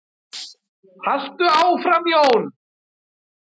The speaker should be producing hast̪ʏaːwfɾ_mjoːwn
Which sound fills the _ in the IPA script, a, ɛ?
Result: a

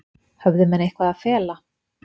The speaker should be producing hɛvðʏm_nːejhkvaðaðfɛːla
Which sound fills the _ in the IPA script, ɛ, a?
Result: ɛ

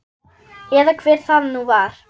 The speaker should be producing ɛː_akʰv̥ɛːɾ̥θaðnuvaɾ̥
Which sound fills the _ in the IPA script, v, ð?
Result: ð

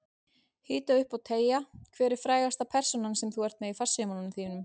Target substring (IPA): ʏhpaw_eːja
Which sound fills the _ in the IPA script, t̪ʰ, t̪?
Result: t̪ʰ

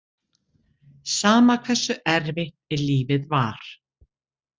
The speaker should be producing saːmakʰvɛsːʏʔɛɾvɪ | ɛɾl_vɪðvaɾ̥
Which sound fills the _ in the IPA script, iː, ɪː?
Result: iː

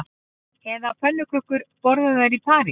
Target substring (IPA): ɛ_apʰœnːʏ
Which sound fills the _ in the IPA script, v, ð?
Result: ð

